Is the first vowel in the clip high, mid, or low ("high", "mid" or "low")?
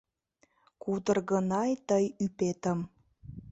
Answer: high